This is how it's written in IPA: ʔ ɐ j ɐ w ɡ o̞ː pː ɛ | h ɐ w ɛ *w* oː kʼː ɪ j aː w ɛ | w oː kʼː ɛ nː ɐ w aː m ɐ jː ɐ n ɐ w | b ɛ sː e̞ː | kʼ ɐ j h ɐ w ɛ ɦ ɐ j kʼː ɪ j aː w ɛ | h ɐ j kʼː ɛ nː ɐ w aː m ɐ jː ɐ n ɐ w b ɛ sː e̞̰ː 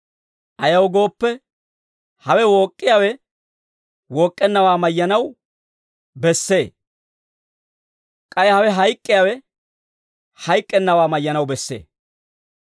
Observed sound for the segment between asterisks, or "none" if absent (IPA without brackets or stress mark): w